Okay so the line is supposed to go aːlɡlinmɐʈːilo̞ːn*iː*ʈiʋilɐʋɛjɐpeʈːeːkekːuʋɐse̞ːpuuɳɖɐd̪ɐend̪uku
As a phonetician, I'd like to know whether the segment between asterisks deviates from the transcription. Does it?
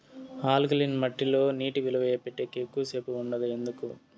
no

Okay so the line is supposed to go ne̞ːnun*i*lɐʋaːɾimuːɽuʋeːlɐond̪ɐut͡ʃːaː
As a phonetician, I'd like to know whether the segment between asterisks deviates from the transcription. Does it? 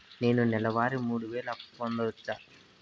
yes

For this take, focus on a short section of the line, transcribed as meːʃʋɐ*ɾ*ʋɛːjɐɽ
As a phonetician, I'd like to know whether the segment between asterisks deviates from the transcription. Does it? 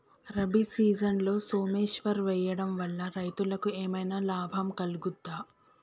no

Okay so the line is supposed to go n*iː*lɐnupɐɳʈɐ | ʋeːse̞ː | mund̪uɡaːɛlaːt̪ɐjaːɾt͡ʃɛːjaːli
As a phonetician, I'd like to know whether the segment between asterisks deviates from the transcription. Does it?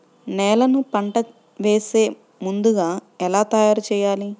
yes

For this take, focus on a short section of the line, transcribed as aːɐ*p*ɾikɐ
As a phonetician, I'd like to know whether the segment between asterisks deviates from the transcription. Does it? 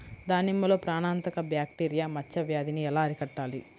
yes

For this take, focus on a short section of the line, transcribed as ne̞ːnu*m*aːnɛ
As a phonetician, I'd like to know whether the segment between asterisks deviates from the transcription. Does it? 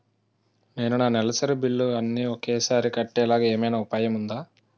yes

